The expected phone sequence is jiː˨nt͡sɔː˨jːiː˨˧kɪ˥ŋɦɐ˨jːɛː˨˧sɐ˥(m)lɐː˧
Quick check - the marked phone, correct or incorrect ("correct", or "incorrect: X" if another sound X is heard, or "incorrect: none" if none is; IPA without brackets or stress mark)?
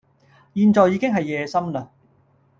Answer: correct